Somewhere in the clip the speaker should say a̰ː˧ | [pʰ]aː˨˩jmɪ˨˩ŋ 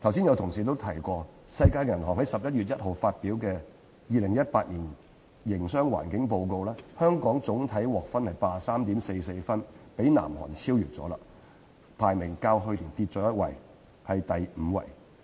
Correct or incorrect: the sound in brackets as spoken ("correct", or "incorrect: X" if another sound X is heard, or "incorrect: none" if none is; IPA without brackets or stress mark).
correct